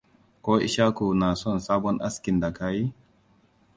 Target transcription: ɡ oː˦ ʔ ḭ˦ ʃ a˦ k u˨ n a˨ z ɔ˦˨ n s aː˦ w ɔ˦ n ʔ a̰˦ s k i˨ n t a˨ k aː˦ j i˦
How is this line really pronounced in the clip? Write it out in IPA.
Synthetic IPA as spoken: k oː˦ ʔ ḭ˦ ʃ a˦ k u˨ n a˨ s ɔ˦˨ n s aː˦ b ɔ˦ n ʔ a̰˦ s k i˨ n d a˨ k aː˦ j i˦